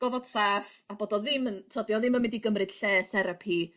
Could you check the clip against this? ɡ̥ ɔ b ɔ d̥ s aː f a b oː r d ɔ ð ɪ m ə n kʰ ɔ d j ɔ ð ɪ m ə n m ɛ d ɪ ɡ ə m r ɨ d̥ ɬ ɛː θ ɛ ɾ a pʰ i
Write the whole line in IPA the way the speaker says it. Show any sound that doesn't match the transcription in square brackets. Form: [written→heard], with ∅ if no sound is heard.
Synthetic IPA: ɡ̥ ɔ [b→v] ɔ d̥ s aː f a b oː [r→∅] d ɔ ð ɪ m ə n [kʰ→tʰ] ɔ d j ɔ ð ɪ m ə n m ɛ d [ɪ→i] ɡ ə m r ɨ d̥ ɬ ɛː θ ɛ ɾ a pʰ i